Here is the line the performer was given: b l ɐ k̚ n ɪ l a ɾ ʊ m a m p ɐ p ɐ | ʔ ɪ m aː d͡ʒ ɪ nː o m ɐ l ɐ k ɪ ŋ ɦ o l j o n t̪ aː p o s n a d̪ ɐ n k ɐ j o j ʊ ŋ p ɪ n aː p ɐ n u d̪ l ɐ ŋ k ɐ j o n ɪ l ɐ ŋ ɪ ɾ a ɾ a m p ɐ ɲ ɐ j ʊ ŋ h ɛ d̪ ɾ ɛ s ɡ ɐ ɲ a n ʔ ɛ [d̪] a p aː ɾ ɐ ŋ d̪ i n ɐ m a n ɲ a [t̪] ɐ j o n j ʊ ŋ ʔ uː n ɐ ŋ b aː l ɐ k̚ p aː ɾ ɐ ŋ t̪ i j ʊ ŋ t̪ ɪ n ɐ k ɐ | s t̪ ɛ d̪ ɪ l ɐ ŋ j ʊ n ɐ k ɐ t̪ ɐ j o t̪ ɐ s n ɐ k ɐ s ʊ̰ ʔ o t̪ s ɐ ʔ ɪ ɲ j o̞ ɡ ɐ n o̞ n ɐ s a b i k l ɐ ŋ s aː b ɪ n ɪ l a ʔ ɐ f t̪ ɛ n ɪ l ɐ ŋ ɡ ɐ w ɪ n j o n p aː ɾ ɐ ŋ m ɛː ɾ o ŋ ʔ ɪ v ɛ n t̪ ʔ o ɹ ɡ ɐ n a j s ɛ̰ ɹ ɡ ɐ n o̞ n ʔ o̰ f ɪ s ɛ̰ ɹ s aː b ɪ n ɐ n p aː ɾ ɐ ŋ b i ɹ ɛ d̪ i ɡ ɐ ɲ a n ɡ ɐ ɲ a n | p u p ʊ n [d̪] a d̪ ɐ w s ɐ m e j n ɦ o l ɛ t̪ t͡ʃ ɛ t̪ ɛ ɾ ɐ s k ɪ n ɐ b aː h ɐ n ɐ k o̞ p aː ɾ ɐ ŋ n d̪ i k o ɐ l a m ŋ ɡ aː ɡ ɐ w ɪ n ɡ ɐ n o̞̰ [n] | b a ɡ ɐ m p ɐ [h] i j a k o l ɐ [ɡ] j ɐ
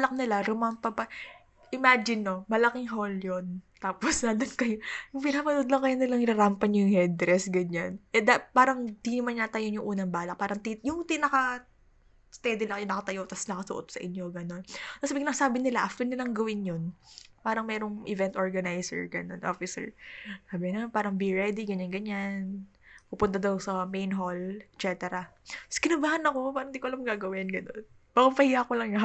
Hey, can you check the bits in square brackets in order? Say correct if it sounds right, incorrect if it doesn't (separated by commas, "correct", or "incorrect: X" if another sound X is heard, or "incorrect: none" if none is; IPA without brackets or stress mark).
correct, correct, incorrect: t̪, correct, correct, incorrect: ŋ